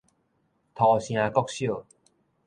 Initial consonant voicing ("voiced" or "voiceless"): voiceless